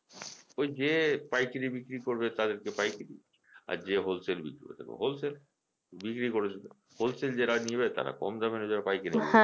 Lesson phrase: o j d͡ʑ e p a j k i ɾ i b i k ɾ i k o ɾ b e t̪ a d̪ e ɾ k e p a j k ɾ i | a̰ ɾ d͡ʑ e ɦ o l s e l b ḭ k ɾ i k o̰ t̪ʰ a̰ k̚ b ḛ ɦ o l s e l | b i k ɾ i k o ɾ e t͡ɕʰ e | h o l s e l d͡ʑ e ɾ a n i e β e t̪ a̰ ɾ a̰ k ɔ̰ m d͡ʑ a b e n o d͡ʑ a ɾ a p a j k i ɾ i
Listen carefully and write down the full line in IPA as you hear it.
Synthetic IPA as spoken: o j d͡ʑ e p a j k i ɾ i b i k ɾ i k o ɾ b e t̪ a d̪ e ɾ k e p a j k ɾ i | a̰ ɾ d͡ʑ e ɦ o l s e l b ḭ k ɾ i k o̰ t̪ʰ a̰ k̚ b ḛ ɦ o l s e l | b i k ɾ i k o ɾ e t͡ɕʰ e | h o l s e l d͡ʑ e ɾ a n i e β e t̪ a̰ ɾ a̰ k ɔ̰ m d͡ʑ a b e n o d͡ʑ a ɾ a p a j k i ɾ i